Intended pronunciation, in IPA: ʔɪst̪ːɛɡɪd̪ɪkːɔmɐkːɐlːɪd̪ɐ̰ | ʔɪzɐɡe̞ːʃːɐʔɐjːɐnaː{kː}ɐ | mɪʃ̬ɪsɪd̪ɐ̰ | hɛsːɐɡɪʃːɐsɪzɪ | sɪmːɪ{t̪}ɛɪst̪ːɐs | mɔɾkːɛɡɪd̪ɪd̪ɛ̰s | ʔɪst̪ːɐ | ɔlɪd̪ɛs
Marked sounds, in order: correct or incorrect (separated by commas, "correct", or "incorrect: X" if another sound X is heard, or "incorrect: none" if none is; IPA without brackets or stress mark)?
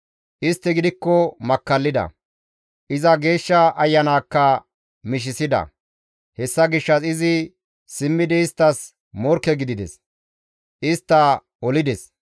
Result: correct, incorrect: d̪